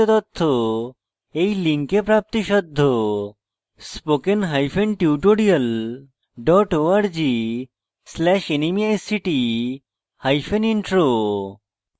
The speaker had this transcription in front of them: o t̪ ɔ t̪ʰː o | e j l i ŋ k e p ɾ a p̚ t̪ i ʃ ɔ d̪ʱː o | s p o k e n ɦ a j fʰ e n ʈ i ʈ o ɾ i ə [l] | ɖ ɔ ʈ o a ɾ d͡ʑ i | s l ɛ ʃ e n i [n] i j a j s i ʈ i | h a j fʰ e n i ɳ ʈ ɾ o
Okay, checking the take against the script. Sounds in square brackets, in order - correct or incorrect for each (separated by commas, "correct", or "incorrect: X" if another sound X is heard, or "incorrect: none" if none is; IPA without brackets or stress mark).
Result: correct, incorrect: m